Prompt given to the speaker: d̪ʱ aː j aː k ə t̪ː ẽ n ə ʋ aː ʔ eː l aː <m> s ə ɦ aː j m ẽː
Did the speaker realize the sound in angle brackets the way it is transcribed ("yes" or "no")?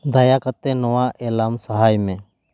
yes